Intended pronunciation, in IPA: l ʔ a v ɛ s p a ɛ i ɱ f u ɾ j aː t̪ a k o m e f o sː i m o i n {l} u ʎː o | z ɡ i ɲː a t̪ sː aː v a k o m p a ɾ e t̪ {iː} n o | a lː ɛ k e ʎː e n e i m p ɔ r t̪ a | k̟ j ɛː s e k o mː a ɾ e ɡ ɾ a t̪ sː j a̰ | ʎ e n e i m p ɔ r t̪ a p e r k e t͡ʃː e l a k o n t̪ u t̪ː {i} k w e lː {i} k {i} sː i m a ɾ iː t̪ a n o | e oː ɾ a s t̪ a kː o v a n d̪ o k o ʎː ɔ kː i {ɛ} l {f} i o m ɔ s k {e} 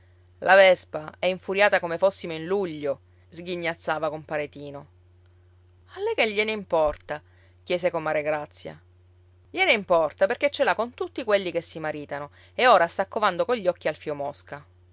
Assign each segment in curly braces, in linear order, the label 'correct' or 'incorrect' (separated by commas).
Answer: correct, correct, correct, correct, incorrect, incorrect, correct, incorrect